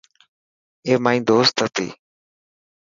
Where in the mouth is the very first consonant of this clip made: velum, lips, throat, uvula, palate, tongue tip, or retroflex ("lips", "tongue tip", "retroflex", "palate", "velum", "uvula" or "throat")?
lips